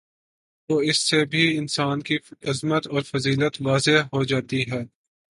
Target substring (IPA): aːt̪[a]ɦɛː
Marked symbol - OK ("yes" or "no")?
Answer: no